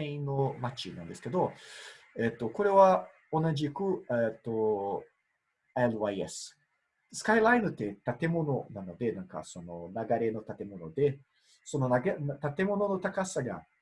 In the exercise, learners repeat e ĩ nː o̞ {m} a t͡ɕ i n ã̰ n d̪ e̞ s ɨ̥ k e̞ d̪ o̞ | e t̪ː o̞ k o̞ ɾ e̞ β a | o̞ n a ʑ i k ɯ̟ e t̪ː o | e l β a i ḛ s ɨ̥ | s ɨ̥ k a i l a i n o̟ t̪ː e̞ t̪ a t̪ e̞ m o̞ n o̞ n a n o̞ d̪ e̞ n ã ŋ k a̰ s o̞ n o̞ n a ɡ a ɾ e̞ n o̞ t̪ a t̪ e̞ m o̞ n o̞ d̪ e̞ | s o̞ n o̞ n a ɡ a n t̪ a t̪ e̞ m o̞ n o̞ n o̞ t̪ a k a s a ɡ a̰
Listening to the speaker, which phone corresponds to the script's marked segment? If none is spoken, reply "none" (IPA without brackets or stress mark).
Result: m